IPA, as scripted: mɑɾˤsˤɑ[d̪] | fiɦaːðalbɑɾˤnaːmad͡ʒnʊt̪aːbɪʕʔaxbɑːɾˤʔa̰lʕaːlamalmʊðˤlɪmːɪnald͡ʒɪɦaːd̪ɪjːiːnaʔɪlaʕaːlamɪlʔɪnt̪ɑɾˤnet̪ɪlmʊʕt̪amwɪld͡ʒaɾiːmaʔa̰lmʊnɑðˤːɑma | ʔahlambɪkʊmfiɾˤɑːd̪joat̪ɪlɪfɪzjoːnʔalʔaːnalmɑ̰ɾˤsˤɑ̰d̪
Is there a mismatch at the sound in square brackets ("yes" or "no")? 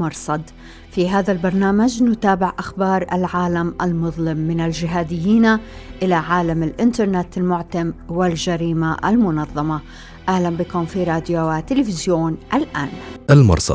no